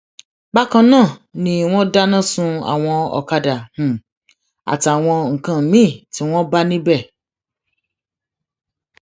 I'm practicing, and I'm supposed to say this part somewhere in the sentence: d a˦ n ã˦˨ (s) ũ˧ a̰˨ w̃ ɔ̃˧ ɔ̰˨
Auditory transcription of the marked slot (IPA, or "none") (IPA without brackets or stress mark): s